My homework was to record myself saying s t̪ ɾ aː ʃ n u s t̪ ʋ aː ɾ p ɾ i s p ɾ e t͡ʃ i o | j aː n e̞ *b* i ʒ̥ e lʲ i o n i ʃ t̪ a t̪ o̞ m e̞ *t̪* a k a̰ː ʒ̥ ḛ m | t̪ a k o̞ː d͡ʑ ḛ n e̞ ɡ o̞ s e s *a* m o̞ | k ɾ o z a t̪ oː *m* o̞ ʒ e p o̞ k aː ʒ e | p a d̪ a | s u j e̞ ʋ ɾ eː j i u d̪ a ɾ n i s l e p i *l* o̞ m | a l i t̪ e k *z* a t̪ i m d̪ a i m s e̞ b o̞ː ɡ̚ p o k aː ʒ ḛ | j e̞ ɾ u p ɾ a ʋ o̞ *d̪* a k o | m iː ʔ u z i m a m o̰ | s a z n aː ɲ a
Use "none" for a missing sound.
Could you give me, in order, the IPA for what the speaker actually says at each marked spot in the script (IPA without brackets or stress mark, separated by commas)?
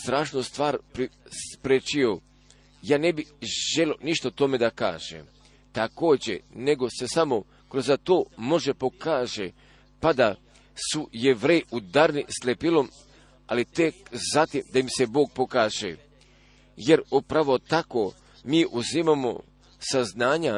b, d̪, a, m, l, z, t̪